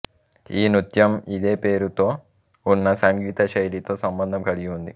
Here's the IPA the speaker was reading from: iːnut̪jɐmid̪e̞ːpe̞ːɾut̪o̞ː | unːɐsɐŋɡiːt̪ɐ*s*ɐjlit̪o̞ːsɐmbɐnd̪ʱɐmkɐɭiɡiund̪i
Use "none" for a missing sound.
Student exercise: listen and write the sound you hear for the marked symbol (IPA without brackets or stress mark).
ʃ